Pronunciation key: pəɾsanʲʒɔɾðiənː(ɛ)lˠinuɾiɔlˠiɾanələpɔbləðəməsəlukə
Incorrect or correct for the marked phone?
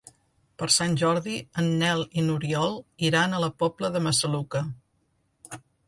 correct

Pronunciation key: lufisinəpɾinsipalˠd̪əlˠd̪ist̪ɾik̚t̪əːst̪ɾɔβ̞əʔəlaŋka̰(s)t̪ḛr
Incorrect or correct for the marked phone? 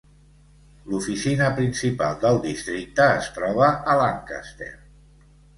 correct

